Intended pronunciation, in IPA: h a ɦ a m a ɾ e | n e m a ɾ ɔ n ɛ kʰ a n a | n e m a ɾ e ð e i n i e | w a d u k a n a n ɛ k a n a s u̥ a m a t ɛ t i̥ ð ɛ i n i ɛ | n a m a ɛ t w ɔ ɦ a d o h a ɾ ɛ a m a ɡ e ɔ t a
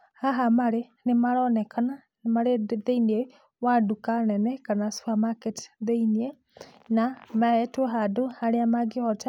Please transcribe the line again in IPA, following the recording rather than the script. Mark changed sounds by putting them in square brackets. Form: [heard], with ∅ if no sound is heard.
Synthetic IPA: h a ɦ a m a ɾ e | n e m a ɾ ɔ n ɛ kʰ a n a | n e m a ɾ e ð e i n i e | w a d u k a n [ɛ] n ɛ k a n a s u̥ a m a [k] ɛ t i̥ ð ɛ i n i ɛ | n a m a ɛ t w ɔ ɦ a d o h a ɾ [e] a m a ɡ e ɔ t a